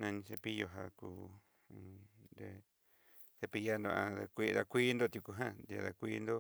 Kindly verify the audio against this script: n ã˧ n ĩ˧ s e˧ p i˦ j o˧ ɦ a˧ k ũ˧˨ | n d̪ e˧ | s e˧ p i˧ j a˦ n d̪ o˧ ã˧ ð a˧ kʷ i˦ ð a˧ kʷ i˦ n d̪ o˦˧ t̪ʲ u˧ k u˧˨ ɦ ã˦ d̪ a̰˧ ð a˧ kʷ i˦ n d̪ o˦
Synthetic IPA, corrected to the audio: n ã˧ n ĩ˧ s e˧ p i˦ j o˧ ɦ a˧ k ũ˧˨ | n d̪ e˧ | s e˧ p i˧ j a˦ n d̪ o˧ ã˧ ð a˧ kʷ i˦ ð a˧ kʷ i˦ n d̪ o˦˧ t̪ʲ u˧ k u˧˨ ɦ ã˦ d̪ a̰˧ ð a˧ kʷ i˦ n d̪ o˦